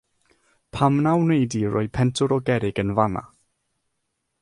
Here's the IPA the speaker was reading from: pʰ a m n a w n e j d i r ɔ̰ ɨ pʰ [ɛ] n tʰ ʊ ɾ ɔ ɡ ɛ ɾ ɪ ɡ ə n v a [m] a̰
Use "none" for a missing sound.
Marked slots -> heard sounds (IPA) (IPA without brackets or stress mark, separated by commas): ɛ, n